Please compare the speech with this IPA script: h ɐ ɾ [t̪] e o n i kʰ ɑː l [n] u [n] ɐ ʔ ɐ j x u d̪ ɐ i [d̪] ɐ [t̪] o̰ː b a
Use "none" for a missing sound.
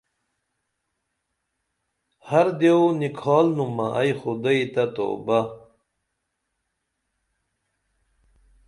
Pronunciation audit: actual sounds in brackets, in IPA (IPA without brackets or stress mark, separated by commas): d̪, n, m, t̪, t̪